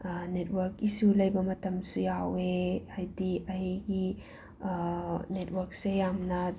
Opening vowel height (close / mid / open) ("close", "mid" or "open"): mid